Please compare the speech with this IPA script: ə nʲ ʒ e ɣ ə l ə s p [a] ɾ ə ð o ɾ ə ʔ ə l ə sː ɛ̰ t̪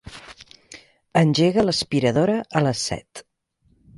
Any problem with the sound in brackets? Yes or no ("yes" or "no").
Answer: yes